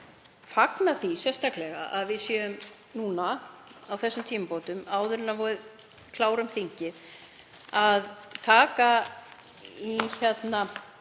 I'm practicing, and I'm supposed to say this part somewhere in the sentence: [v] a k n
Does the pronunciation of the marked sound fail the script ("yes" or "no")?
yes